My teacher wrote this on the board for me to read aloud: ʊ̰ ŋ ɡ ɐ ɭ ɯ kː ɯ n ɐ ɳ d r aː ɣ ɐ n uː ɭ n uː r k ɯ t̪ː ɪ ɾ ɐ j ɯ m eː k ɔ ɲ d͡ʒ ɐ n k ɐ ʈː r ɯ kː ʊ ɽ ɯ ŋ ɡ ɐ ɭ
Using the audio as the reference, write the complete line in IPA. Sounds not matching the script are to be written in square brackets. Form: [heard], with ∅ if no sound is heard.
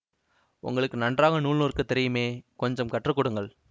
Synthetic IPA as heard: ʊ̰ ŋ ɡ ɐ ɭ ɯ kː ɯ n ɐ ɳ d r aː ɣ ɐ n uː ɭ n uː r k ɯ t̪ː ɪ ɾ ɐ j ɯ m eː k ɔ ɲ d͡ʒ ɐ [m] k ɐ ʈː r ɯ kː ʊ ɽ ɯ ŋ ɡ ɐ ɭ

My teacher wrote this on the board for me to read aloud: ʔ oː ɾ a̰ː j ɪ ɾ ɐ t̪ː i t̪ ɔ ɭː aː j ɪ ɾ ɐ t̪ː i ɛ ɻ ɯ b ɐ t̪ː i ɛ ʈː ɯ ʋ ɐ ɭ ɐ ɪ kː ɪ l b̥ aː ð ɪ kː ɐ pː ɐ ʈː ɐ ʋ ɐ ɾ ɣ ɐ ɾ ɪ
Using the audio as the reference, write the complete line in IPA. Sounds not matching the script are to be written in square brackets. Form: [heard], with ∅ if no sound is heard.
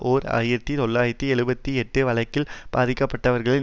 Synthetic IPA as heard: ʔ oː ɾ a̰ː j ɪ ɾ ɐ t̪ː i t̪ ɔ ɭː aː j ɪ ɾ ɐ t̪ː i ɛ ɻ ɯ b ɐ t̪ː i ɛ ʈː ɯ ʋ ɐ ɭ ɐ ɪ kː ɪ l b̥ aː ð ɪ kː ɐ pː ɐ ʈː ɐ ʋ ɐ ɾ ɣ ɐ [ɭ] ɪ

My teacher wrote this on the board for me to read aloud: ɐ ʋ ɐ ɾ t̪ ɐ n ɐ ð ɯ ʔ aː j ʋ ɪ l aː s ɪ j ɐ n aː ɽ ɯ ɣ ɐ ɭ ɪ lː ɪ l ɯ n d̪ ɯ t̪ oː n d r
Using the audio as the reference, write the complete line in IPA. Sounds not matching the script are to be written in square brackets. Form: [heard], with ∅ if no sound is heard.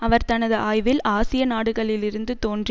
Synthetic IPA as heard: ɐ ʋ ɐ ɾ t̪ ɐ n ɐ ð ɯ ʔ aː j ʋ ɪ l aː s ɪ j ɐ n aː ɽ ɯ ɣ ɐ ɭ ɪ [l] ɪ [ɾ] ɯ n d̪ ɯ t̪ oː n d r

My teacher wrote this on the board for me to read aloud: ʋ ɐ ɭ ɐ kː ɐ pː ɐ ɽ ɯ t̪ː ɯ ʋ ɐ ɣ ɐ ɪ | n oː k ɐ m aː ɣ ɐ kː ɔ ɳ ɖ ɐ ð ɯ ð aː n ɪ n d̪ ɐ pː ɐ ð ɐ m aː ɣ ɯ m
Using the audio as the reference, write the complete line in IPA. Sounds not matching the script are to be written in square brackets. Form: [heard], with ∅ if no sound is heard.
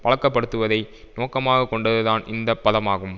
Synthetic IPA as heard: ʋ ɐ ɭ ɐ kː ɐ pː ɐ ɽ ɯ t̪ː ɯ ʋ ɐ [ð] ɐ ɪ | n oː k ɐ m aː ɣ ɐ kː ɔ ɳ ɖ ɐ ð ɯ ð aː n ɪ n d̪ ɐ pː ɐ ð ɐ m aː ɣ ɯ m

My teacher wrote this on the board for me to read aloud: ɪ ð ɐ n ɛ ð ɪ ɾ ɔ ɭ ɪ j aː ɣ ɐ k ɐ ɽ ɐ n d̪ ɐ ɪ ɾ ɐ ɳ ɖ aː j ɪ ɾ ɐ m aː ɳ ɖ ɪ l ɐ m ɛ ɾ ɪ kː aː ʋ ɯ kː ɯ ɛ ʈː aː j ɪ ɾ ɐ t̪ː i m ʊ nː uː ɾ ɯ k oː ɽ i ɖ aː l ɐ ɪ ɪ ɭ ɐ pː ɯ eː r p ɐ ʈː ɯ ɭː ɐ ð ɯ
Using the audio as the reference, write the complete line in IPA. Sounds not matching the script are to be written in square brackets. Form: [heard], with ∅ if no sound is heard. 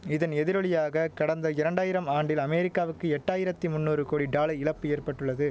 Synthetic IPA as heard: ɪ ð ɐ n ɛ ð ɪ ɾ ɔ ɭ ɪ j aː ɣ ɐ k ɐ ɽ ɐ n d̪ ɐ ɪ ɾ ɐ ɳ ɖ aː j ɪ ɾ ɐ m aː ɳ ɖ ɪ l ɐ m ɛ ɾ ɪ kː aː ʋ ɯ kː ɯ ɛ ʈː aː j ɪ ɾ ɐ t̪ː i m ʊ nː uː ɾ ɯ k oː ɽ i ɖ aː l ɐ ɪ ɪ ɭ ɐ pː ɯ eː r p ɐ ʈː ɯ ɭː ɐ ð ɯ

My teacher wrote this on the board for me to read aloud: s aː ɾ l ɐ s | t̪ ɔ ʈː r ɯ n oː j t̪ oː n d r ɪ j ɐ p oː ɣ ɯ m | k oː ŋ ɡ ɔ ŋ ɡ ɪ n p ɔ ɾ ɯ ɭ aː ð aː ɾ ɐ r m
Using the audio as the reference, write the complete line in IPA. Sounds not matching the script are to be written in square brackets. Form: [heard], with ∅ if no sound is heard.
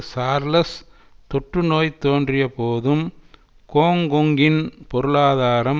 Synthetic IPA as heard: s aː ɾ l ɐ s | t̪ ɔ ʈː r ɯ n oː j t̪ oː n d r ɪ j ɐ p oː [ð] ɯ m | k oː ŋ ɡ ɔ ŋ ɡ ɪ n p ɔ ɾ ɯ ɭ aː ð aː ɾ ɐ [∅] m

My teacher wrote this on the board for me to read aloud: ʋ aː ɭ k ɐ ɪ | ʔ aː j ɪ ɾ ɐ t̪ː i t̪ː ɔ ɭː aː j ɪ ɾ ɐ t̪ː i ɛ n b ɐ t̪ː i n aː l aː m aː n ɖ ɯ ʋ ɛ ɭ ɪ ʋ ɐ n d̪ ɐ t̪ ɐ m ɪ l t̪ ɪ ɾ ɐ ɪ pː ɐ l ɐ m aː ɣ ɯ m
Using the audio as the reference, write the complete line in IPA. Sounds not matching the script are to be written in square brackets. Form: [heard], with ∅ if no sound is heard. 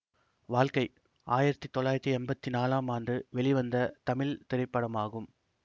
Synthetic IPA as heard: ʋ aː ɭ k ɐ ɪ | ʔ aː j ɪ ɾ ɐ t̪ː i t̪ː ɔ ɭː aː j ɪ ɾ ɐ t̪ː i ɛ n b ɐ t̪ː i n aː l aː m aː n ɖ ɯ ʋ ɛ ɭ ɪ ʋ ɐ n d̪ ɐ t̪ ɐ m ɪ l t̪ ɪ ɾ ɐ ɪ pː ɐ [ɽ] ɐ m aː ɣ ɯ m

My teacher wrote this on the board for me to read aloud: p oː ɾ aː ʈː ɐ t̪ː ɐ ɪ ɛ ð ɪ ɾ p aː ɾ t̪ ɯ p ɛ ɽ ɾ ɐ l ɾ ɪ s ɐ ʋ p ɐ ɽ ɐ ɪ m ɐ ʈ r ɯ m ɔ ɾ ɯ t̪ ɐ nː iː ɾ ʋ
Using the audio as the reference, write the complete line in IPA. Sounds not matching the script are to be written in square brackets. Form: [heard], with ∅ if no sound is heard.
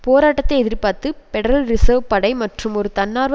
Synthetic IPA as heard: p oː ɾ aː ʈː ɐ t̪ː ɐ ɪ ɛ ð ɪ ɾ p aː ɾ t̪ ɯ p ɛ ɽ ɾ ɐ l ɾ ɪ s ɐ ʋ p ɐ ɽ ɐ ɪ m ɐ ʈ r ɯ m ɔ ɾ ɯ t̪ ɐ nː [aː] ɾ ʋ

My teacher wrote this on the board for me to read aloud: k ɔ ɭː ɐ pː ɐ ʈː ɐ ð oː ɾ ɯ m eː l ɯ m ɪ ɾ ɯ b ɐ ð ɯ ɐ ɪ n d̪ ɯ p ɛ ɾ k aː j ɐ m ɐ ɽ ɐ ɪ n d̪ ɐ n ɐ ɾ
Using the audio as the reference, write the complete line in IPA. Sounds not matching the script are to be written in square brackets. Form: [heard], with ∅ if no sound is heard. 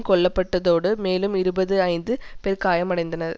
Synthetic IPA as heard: k ɔ ɭː ɐ pː ɐ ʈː ɐ ð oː [ɽ] ɯ m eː l ɯ m ɪ ɾ ɯ b ɐ ð ɯ ɐ ɪ n d̪ ɯ p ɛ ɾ k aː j ɐ m ɐ ɽ ɐ ɪ n d̪ ɐ n ɐ ɾ

